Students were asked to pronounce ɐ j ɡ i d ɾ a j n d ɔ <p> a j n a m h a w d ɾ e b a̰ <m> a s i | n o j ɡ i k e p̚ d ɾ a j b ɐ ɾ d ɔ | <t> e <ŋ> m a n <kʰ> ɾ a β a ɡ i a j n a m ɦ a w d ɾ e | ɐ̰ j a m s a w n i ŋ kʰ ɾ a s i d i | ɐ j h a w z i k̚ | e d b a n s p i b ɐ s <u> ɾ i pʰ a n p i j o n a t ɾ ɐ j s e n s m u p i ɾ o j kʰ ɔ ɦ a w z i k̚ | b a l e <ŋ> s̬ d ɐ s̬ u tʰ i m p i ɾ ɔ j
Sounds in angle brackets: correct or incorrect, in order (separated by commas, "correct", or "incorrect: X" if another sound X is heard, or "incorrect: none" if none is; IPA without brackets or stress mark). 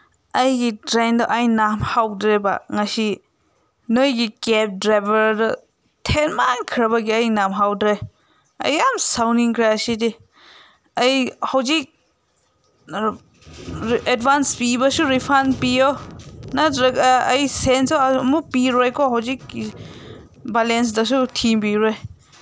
incorrect: ʔ, incorrect: ŋ, incorrect: tʰ, incorrect: n, correct, correct, incorrect: n